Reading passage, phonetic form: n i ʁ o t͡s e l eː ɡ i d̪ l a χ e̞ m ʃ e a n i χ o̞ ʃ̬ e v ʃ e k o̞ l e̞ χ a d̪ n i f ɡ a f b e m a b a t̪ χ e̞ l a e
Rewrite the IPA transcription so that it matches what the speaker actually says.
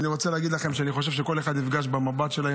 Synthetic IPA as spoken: n i ʁ o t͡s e l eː ɡ i d̪ l a χ e̞ m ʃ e a n i χ o̞ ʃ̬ e v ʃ e k o̞ l e̞ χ a d̪ n i f ɡ a ʃ b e m a b a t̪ ʃ e̞ l a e